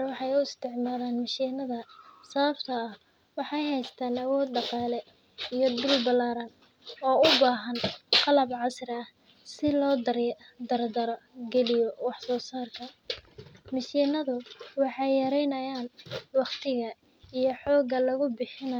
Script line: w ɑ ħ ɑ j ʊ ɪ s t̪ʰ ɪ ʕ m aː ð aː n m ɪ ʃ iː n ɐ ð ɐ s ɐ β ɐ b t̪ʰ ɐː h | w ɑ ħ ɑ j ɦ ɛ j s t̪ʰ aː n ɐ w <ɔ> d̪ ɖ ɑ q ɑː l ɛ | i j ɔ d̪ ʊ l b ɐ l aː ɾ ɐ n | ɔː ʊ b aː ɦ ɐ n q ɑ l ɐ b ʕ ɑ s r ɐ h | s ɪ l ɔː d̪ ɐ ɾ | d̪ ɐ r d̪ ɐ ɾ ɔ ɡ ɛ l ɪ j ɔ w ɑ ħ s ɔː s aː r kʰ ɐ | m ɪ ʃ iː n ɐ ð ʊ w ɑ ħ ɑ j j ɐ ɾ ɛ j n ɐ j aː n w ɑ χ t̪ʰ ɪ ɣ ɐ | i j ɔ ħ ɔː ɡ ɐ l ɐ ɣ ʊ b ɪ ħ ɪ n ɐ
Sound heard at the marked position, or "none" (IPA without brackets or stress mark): ɔː